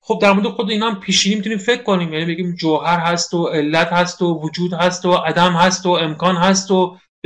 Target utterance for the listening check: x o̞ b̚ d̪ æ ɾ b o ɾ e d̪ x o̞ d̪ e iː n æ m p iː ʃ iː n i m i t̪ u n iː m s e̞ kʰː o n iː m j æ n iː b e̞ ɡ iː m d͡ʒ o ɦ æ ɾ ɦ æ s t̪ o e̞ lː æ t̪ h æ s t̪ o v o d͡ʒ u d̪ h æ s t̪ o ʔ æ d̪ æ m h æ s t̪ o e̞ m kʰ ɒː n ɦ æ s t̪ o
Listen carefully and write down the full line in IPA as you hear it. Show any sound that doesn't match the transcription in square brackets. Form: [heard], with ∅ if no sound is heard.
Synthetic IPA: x o̞ b̚ d̪ æ ɾ [m] o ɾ e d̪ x o̞ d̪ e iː n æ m [pʰ] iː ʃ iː n i m i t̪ u n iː m [f] e̞ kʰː o n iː m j æ n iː b e̞ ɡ iː m d͡ʒ o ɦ æ ɾ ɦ æ s t̪ o e̞ lː æ t̪ h æ s t̪ o v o d͡ʒ [uː] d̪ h æ s t̪ o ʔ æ d̪ æ m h æ s t̪ o e̞ m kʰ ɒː n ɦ æ s t̪ o